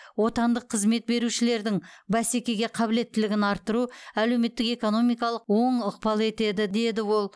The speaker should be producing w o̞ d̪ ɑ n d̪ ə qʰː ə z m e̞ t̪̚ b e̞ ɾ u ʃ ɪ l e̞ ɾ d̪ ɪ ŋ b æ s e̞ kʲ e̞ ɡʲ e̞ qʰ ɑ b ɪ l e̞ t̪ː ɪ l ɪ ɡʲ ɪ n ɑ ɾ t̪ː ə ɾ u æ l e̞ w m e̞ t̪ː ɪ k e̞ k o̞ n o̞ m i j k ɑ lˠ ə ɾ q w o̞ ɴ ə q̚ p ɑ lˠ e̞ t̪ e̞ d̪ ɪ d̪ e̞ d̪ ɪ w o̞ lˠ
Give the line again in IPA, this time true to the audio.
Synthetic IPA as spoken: w o̞ t̪ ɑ n d̪ ə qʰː ə z m e̞ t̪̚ b e̞ ɾ u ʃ ɪ l e̞ ɾ d̪ ɪ ŋ b æ s e̞ kʲ e̞ ɡʲ e̞ qʰ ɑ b ɪ l e̞ t̪ː ɪ l ɪ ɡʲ ɪ n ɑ ɾ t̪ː ə ɾ u æ l e̞ w m e̞ t̪ː ɪ k e̞ k o̞ n o̞ m i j k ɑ lˠ ə q w o̞ ɴ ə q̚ p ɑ lˠ e̞ t̪ e̞ d̪ ɪ d̪ e̞ d̪ ɪ w o̞ lˠ